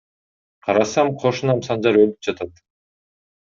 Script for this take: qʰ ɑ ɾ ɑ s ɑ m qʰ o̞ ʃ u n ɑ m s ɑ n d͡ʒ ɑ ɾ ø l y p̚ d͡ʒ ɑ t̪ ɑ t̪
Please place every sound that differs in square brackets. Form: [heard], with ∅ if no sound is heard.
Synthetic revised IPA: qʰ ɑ ɾ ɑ s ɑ m qʰ o̞ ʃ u n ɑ m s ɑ n d͡ʒ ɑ ɾ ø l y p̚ d͡ʒ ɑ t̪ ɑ t̪